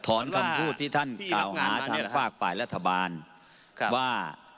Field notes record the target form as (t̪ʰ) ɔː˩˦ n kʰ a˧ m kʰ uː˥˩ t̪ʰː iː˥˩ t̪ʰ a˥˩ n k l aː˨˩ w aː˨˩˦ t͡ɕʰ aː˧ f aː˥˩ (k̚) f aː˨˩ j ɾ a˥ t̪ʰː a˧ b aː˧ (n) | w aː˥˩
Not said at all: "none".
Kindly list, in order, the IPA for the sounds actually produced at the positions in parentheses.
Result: t̪ʰ, k̚, n

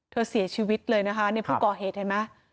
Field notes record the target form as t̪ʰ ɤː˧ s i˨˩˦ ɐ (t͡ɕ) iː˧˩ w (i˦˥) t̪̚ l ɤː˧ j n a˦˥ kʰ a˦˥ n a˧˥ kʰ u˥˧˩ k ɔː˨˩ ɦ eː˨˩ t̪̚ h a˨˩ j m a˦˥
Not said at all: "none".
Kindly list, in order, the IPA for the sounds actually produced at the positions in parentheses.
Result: t͡ɕʰ, i˦˥

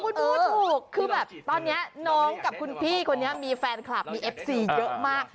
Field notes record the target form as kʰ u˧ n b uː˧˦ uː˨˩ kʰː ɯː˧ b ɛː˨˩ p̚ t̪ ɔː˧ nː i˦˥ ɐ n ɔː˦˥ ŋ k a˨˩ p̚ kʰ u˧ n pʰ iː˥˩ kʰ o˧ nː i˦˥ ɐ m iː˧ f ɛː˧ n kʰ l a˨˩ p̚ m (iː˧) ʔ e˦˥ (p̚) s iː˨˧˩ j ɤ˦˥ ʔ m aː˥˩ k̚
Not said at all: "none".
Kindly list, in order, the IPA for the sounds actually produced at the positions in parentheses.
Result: iː˧, p̚

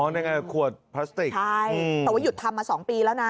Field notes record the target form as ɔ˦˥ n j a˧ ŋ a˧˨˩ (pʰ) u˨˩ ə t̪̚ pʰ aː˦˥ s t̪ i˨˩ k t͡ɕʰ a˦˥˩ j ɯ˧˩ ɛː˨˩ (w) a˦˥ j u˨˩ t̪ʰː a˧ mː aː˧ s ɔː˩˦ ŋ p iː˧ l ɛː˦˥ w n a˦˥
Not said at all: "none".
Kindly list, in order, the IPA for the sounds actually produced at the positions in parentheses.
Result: kʰ, w

